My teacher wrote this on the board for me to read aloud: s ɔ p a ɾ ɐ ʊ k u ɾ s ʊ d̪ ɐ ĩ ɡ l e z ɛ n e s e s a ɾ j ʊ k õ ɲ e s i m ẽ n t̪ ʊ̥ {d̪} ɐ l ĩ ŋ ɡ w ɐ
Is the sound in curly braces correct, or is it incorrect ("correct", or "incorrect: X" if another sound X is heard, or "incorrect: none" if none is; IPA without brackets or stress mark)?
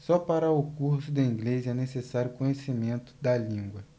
correct